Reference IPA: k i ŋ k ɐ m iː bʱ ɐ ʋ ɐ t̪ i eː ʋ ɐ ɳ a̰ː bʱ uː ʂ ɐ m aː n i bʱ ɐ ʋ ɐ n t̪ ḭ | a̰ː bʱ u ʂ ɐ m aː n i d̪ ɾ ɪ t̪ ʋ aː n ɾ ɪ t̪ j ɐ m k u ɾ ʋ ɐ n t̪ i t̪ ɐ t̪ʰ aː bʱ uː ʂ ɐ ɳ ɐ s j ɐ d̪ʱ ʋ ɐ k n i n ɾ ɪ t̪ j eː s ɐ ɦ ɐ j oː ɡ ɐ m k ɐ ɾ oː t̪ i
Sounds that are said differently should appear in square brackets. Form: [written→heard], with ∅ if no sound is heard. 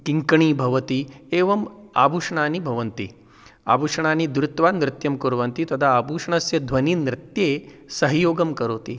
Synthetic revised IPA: k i ŋ k ɐ [m→ɳ] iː bʱ ɐ ʋ ɐ t̪ i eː ʋ ɐ [ɳ→m] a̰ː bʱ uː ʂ ɐ [m→ɳ] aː n i bʱ ɐ ʋ ɐ n t̪ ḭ | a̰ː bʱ u ʂ ɐ [m→ɳ] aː n i d̪ ɾ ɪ t̪ ʋ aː n ɾ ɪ t̪ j ɐ m k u ɾ ʋ ɐ n t̪ i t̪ ɐ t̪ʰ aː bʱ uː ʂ ɐ ɳ ɐ s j ɐ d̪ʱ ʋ ɐ [k→∅] n i n ɾ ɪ t̪ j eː s ɐ ɦ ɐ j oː ɡ ɐ m k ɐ ɾ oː t̪ i